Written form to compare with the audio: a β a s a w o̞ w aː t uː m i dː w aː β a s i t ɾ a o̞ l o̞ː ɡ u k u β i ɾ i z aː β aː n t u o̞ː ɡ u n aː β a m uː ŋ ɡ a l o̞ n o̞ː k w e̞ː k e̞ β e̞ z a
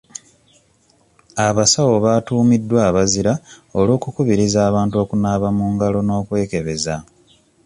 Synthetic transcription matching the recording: a β a s a w o̞ β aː t uː m i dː w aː β a z i ɾ a o̞ l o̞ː k u k u β i ɾ i z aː β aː n t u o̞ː k u n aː β a m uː ŋ ɡ a l o̞ n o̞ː k w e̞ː k e̞ β e̞ z a